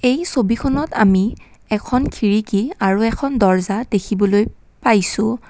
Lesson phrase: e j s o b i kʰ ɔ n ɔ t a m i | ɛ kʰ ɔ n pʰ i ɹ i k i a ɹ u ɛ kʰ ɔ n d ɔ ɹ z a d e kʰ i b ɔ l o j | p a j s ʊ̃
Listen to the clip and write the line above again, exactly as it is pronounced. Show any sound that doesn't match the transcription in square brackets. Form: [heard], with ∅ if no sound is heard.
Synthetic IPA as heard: e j s o b i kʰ ɔ n ɔ t a m i | ɛ kʰ ɔ n [kʰ] i ɹ i k i a ɹ u ɛ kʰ ɔ n d ɔ ɹ z a d e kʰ i b ɔ l o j | p a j s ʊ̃

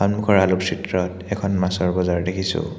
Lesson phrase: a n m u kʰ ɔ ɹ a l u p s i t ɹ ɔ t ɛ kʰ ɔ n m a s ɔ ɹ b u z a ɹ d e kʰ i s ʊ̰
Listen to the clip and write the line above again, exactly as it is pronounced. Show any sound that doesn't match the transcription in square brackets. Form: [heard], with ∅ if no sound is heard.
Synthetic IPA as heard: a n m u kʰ ɔ ɹ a l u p s i t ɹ ɔ t ɛ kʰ ɔ n m a s ɔ ɹ b [ɔ] z a ɹ d e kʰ i s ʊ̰

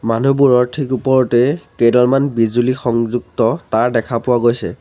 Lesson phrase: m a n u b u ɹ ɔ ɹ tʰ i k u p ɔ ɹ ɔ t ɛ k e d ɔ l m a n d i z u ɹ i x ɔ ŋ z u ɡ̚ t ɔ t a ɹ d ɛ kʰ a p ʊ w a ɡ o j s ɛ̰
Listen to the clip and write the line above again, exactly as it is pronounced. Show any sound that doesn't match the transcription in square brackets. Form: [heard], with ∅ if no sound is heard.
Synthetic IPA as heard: m a n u b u ɹ ɔ ɹ tʰ i k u p ɔ ɹ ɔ t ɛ k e d ɔ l m a n [b] i z u [l] i x ɔ ŋ z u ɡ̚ t ɔ t a ɹ d ɛ kʰ a p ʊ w a ɡ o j s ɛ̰

